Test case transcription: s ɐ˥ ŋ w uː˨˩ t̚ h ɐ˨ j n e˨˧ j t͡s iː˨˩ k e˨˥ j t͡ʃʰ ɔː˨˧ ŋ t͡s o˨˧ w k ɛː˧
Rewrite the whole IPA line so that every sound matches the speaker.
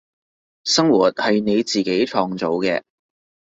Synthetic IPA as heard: s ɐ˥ ŋ w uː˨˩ t̚ h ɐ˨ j n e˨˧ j t͡s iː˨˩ k e˨˥ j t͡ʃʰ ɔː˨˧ ŋ t͡s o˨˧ w k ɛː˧